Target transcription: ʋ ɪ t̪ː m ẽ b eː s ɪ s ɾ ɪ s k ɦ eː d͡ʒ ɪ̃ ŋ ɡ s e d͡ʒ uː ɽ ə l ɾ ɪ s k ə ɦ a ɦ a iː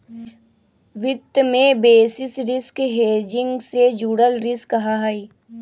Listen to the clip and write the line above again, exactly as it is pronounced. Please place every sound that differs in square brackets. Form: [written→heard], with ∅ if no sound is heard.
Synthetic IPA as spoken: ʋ ɪ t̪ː m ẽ b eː s ɪ s ɾ ɪ s k ɦ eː d͡ʒ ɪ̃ ŋ ɡ s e d͡ʒ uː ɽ ə l ɾ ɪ s k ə ɦ a ɦ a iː